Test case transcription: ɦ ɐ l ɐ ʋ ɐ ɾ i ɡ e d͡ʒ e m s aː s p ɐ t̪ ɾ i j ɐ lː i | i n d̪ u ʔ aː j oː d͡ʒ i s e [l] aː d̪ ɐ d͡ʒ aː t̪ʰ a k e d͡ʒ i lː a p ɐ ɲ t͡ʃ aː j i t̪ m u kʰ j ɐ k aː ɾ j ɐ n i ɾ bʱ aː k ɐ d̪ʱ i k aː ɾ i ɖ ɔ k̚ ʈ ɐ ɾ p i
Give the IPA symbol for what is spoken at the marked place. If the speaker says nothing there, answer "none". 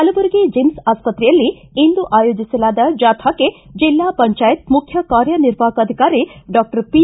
l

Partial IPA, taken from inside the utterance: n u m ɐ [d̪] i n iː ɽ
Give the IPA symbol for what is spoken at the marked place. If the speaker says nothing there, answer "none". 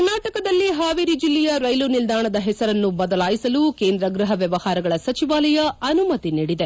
t̪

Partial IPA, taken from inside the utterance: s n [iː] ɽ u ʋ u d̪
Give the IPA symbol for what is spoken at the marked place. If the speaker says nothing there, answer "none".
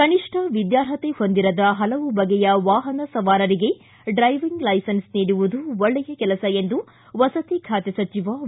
iː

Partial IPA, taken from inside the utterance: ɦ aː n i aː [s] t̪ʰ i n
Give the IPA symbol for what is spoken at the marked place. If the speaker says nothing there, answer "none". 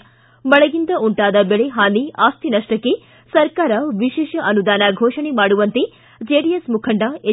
s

